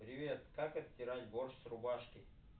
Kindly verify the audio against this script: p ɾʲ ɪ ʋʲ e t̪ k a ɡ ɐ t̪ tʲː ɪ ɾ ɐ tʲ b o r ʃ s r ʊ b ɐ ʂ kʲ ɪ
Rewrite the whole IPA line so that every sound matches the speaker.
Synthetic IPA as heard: p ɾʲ ɪ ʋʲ e t̪ k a k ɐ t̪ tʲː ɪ ɾ a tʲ b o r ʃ s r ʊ b a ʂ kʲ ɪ